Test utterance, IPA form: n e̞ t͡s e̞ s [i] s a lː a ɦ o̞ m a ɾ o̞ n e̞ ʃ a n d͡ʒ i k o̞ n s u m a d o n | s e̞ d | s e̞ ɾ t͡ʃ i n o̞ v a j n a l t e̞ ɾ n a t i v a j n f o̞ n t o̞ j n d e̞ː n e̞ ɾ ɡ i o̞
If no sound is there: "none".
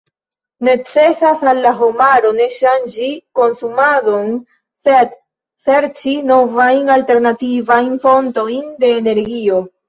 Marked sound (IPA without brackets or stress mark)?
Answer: a